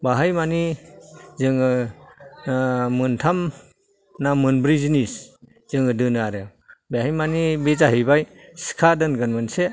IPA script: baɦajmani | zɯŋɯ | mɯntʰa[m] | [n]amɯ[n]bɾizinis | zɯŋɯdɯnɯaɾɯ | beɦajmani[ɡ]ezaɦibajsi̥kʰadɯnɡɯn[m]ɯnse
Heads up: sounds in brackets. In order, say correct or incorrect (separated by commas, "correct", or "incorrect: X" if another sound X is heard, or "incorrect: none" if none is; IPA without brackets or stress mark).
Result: correct, correct, correct, incorrect: b, correct